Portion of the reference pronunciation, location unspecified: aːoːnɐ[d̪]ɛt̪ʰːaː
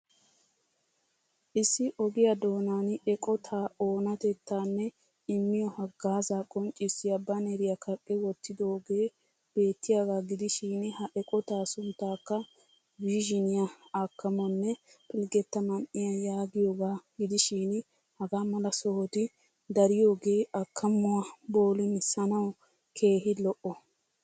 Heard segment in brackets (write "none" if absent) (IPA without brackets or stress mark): t̪